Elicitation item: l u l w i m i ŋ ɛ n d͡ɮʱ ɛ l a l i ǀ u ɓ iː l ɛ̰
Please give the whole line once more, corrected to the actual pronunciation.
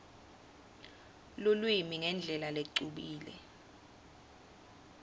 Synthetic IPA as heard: l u l w i m i ŋ ɛ n d͡ɮʱ ɛ l a l e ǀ u ɓ iː l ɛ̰